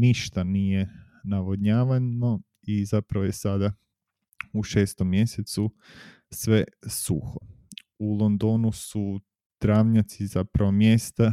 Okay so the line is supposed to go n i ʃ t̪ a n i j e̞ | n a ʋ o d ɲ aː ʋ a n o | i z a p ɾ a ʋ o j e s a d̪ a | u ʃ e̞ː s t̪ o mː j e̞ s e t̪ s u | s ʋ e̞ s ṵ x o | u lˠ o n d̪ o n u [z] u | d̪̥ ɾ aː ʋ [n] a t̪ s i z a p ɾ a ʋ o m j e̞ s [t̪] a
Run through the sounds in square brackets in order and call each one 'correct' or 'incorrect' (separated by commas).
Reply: incorrect, incorrect, correct